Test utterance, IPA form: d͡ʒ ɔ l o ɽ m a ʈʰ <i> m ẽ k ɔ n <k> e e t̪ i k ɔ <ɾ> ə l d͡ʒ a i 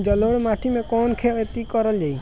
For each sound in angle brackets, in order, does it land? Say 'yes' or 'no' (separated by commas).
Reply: yes, no, yes